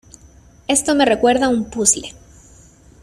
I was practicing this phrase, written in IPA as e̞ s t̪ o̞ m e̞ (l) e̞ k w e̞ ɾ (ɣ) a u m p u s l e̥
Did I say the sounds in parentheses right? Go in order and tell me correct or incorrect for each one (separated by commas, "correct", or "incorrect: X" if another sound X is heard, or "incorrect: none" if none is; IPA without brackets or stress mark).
incorrect: r, incorrect: ð